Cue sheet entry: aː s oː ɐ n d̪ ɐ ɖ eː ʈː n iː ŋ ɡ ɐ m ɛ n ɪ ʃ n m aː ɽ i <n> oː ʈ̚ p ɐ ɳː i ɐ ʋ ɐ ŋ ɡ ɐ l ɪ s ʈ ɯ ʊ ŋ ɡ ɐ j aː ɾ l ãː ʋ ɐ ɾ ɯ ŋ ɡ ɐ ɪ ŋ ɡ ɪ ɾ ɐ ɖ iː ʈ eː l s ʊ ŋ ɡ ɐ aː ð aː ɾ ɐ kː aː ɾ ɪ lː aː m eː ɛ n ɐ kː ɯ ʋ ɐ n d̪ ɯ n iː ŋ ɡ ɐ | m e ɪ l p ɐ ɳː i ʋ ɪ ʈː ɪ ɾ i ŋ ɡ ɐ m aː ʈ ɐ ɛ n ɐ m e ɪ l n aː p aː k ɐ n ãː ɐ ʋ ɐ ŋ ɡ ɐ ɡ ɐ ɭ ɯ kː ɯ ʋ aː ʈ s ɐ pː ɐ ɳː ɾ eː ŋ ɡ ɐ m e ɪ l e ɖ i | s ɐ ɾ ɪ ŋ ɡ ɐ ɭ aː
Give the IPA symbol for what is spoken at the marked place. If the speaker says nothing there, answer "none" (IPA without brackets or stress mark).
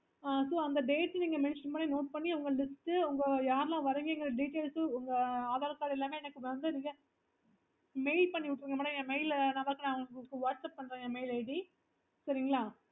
n